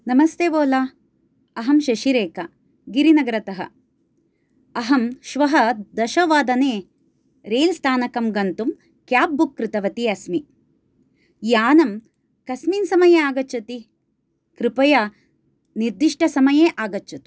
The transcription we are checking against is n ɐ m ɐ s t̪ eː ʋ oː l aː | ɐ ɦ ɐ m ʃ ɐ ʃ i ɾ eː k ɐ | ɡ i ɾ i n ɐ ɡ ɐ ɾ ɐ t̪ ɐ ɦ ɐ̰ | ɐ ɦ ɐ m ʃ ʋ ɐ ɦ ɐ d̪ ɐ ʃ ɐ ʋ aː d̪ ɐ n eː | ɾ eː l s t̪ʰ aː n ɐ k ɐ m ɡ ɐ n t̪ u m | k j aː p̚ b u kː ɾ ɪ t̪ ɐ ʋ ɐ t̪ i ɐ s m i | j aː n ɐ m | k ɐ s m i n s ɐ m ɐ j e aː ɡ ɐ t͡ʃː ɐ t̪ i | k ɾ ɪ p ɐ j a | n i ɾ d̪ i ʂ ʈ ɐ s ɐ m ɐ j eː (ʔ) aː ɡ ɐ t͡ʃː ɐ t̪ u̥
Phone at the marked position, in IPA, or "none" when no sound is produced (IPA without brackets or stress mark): ʔ